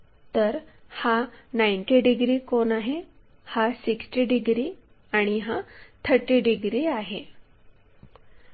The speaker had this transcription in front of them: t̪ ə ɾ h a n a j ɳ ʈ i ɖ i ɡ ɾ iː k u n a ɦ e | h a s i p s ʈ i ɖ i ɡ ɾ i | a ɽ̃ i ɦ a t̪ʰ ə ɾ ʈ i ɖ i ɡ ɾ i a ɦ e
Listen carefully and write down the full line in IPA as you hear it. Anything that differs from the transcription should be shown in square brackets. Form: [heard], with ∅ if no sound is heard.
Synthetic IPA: t̪ ə ɾ h a n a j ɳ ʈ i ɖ i ɡ ɾ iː k [o] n a ɦ e | h a s i [k] s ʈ i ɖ i ɡ ɾ i | a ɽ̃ i ɦ a t̪ʰ ə ɾ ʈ i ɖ i ɡ ɾ i a ɦ e